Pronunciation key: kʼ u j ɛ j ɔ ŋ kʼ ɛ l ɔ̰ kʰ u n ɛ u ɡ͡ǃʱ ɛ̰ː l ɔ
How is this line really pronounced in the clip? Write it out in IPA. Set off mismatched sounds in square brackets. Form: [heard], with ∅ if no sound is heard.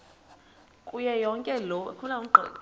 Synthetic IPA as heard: kʼ u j ɛ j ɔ ŋ kʼ ɛ l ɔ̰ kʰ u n [a] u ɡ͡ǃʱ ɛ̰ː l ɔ